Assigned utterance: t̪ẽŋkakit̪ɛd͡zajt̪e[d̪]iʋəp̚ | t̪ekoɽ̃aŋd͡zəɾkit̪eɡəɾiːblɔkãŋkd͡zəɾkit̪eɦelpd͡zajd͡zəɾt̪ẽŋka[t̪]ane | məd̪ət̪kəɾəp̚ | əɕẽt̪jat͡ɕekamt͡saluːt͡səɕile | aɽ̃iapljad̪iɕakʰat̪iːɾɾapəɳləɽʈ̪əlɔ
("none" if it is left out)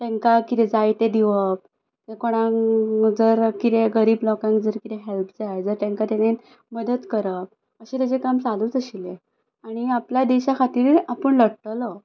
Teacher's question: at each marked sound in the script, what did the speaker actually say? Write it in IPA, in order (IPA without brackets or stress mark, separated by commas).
d̪, t̪